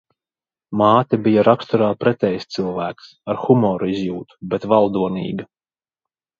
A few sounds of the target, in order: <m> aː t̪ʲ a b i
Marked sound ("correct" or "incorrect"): correct